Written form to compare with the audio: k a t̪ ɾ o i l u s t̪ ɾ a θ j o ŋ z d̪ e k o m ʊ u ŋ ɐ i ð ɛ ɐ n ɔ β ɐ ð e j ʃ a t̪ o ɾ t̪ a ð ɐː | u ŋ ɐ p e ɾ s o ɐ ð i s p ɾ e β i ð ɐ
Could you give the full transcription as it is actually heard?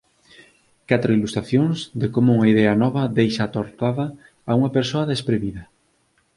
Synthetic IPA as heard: k a t̪ ɾ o i l u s t̪ ɾ a θ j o ŋ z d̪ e k o m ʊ u ŋ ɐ i ð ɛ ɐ n ɔ β ɐ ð e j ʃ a t̪ o ɾ t̪ a ð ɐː | u ŋ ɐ p e ɾ s o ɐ ð e s p ɾ e β i ð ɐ